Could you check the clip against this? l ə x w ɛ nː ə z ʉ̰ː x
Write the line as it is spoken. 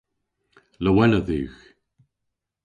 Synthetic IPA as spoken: l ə w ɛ n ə ð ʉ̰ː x